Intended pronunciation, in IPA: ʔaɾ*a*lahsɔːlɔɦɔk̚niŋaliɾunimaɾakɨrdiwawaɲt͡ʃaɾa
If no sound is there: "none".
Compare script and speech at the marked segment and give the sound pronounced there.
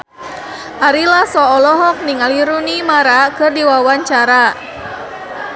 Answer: i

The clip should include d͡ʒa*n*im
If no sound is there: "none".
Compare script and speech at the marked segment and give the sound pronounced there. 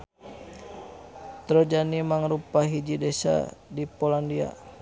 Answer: n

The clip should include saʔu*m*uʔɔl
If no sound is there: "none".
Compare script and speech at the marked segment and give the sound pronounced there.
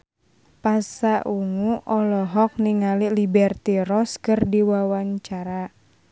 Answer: ŋ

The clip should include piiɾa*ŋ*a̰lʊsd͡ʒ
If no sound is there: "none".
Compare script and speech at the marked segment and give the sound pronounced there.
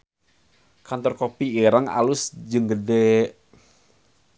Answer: ŋ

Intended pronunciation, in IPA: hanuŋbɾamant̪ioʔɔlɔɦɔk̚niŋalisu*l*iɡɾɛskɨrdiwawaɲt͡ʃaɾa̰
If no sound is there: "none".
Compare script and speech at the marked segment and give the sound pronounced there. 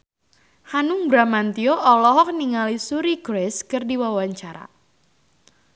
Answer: ɾ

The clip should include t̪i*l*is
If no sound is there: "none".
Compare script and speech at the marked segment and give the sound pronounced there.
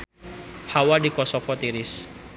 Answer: ɾ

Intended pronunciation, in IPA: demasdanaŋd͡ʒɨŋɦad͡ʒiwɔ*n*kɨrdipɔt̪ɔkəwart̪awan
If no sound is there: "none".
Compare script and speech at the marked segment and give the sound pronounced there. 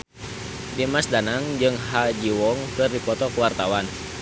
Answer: ŋ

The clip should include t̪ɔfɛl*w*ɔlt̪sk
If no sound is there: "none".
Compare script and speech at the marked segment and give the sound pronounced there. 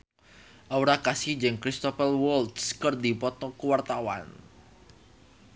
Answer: w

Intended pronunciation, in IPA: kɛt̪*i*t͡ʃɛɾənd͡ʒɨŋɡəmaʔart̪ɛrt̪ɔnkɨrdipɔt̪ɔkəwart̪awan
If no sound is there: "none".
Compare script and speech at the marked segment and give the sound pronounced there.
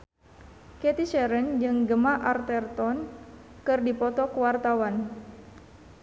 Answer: i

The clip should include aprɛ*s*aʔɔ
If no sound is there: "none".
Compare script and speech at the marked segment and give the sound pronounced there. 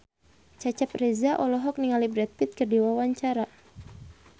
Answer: z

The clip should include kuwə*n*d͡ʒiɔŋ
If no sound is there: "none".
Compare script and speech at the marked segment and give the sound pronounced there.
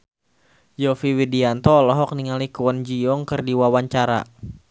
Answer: n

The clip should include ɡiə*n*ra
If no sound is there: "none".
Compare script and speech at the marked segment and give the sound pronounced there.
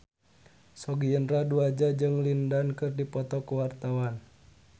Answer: n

